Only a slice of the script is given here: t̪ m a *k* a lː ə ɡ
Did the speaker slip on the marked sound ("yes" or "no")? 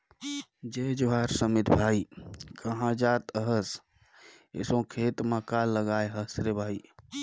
no